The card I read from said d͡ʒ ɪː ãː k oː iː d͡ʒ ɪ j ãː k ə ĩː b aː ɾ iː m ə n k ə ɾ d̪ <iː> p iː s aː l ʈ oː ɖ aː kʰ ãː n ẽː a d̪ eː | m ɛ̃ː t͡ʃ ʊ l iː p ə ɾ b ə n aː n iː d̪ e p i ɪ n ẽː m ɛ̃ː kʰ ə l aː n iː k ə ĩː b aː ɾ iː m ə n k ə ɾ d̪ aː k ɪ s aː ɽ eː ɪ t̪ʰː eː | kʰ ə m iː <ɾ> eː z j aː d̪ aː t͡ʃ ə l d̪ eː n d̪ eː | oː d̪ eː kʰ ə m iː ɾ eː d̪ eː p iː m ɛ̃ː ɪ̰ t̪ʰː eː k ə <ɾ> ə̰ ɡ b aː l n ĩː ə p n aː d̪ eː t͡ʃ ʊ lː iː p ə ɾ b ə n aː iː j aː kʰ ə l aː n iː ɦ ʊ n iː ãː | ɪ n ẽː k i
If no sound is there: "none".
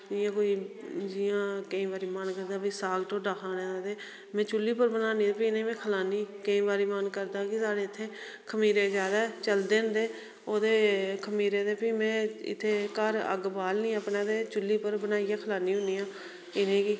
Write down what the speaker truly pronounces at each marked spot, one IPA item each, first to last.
aː, ɾ, ɾ

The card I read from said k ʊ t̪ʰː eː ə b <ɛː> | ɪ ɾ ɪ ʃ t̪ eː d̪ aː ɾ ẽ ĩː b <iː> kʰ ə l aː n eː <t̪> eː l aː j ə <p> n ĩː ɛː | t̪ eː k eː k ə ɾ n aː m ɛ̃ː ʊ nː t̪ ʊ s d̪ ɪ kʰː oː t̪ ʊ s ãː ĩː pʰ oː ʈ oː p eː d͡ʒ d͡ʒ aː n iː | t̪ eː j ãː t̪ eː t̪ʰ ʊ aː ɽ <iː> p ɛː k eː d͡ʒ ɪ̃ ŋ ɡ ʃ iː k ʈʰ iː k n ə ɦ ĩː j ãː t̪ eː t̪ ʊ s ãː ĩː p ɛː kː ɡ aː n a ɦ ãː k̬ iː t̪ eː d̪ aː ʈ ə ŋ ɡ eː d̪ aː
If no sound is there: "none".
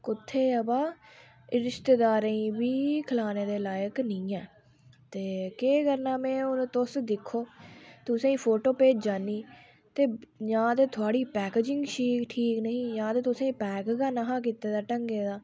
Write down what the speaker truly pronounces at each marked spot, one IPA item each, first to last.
aː, iː, d̪, k, iː

